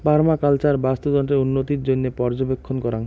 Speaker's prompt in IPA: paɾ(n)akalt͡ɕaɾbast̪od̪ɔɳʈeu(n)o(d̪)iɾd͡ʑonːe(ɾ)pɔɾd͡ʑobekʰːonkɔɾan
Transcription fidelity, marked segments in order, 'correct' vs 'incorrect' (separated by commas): incorrect, incorrect, incorrect, incorrect